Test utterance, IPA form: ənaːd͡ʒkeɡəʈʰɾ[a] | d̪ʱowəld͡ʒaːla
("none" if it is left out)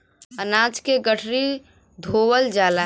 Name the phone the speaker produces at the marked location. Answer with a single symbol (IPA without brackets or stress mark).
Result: i